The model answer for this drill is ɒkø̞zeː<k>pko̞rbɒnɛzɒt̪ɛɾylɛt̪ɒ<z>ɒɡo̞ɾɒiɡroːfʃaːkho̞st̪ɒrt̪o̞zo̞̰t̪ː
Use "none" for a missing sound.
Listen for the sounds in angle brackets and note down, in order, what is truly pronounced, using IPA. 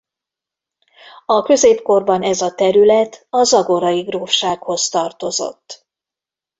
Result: none, z

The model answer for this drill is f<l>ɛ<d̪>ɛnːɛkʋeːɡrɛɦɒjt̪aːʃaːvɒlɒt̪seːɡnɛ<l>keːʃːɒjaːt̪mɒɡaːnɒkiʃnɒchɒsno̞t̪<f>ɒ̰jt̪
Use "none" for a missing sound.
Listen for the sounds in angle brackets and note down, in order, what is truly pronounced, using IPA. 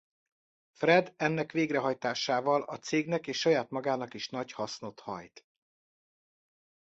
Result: r, d̪, none, h

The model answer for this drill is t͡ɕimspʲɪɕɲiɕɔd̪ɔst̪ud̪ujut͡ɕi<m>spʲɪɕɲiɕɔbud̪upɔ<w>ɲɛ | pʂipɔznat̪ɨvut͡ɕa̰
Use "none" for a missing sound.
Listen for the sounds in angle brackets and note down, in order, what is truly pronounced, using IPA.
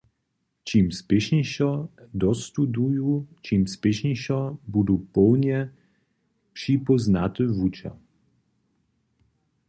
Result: m, w

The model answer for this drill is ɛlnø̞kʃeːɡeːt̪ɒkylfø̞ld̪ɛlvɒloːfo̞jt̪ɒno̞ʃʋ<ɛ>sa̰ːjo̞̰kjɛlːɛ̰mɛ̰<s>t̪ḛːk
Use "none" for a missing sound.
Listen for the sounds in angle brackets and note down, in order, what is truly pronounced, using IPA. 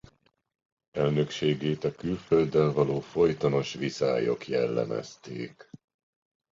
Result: i, s

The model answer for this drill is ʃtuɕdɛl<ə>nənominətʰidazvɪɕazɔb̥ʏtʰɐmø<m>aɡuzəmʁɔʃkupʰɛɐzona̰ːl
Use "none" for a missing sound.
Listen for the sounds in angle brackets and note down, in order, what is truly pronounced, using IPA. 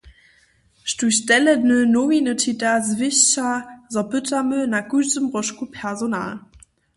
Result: ə, n

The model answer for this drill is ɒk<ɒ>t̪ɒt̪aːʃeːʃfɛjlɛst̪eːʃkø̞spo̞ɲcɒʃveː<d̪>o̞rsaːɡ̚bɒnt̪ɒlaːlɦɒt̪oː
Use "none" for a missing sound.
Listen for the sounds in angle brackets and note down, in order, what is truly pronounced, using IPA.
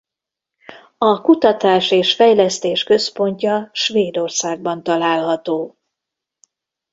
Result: u, d̪

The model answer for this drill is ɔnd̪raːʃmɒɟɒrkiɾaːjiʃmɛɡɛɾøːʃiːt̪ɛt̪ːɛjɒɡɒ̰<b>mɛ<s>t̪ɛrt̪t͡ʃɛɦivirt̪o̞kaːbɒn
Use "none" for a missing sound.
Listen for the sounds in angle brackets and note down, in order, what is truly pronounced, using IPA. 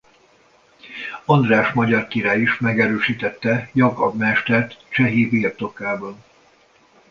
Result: b, ʃ

